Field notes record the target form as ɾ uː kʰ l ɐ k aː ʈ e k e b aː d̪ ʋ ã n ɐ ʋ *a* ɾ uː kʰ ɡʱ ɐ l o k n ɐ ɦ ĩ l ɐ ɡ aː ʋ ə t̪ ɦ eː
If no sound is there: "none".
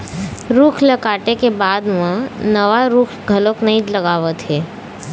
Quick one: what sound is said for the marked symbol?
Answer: a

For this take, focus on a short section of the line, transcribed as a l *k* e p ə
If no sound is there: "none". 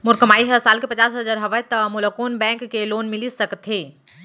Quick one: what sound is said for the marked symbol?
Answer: k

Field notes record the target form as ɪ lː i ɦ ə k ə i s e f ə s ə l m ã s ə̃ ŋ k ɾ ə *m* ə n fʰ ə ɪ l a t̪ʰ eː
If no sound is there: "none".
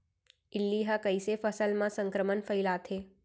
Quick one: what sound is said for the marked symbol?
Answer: m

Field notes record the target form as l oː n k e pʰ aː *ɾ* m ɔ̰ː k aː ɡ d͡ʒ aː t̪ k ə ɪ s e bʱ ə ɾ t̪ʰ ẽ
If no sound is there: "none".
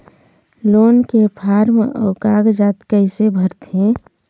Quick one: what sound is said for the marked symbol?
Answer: ɾ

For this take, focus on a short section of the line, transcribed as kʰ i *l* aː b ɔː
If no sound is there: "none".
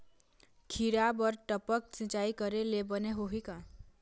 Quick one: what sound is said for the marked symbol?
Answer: ɾ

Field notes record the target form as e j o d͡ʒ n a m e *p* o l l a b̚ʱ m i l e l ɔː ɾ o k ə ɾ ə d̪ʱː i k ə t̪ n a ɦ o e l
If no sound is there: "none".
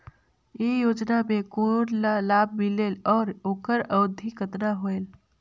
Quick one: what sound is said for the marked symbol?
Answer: k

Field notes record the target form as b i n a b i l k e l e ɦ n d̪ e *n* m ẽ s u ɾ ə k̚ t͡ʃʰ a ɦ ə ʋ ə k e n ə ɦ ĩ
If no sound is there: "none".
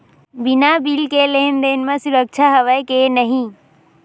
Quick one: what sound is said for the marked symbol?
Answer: n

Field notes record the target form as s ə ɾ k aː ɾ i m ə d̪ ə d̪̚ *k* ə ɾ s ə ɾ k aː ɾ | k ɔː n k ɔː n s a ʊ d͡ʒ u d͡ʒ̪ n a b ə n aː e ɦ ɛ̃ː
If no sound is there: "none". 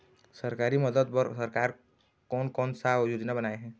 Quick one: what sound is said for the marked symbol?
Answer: p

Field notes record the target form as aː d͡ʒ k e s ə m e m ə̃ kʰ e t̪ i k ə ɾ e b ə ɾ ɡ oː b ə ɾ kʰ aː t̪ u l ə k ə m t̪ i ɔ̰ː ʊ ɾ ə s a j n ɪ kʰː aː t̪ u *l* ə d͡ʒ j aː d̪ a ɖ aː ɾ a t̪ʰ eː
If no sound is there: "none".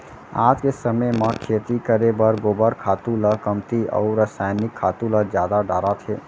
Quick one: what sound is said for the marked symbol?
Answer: l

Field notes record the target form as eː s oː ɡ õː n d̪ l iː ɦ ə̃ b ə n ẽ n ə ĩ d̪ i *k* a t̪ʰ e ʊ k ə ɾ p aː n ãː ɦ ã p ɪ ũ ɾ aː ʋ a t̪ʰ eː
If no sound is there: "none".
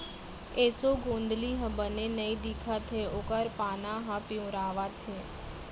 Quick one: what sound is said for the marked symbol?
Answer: kʰ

